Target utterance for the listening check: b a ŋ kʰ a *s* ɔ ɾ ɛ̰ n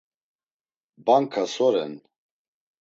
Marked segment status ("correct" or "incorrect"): correct